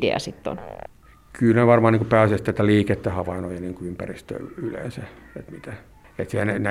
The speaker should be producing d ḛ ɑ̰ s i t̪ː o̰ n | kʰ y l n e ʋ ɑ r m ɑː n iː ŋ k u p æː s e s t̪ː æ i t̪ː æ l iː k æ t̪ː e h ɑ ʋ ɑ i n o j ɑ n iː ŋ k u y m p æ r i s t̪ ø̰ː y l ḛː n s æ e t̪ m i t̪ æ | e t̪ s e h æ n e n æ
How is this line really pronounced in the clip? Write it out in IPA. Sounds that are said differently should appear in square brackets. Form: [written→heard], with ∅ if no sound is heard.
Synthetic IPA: d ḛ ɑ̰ s i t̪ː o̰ n | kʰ y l n e ʋ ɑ r m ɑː n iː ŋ k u p æː s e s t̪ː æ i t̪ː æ l iː k [æ→e] t̪ː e h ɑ ʋ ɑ i n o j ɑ n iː ŋ k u y m p æ r i s t̪ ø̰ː y l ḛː n s æ e t̪ m i t̪ æ | e t̪ s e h æ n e n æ